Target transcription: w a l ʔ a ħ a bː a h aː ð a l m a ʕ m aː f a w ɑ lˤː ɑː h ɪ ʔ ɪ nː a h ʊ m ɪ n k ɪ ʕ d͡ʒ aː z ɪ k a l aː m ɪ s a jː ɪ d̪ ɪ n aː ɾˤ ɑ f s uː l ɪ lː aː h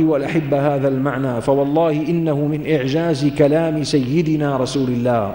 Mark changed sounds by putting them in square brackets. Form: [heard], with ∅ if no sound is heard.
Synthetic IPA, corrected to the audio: w a l ʔ a ħ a bː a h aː ð a l m a ʕ [n] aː f a w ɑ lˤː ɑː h ɪ ʔ ɪ nː a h ʊ m ɪ n [ʔ] ɪ ʕ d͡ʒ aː z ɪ k a l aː m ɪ s a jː ɪ d̪ ɪ n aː ɾˤ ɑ [∅] s uː l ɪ lː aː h